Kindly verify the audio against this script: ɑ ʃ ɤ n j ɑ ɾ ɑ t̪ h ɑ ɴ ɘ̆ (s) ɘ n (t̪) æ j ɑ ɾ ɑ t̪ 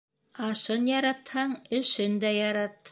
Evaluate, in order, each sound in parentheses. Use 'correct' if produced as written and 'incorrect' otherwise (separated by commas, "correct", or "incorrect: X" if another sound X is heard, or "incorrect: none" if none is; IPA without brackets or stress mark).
incorrect: ʃ, incorrect: d̪